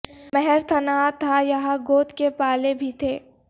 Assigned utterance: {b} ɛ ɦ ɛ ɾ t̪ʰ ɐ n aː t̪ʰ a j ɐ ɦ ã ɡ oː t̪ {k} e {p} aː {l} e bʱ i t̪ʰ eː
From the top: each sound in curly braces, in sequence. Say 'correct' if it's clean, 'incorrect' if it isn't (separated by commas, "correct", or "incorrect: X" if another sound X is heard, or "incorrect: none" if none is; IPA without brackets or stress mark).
incorrect: m, correct, correct, correct